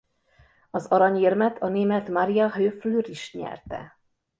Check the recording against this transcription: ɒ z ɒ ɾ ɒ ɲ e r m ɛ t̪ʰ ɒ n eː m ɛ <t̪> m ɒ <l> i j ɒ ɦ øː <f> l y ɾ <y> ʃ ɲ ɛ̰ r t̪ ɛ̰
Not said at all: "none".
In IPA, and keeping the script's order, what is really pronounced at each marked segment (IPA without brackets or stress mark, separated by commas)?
t̪, ɾ, f, i